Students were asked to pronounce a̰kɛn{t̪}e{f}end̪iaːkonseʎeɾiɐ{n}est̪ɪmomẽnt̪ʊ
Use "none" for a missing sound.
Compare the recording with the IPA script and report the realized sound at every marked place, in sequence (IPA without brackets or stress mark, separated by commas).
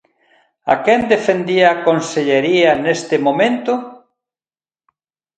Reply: d̪, f, n